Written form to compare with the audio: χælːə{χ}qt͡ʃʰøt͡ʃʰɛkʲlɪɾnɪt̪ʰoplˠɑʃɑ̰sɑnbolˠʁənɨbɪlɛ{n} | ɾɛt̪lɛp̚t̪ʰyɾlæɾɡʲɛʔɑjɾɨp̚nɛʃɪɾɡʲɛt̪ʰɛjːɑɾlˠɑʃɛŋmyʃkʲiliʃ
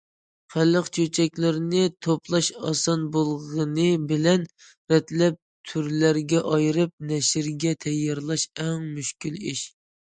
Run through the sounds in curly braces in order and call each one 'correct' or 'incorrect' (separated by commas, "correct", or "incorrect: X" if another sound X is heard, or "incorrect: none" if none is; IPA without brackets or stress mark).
incorrect: none, correct